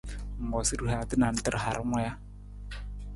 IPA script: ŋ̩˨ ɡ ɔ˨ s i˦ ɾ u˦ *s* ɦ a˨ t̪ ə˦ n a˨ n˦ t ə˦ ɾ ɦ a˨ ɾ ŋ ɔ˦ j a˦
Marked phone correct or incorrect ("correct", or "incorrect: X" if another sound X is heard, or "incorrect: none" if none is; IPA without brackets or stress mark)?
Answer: incorrect: none